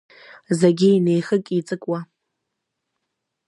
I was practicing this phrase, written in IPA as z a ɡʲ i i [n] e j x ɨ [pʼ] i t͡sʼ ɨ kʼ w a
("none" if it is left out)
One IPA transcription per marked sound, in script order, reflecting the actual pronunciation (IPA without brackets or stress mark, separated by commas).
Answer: n, kʼ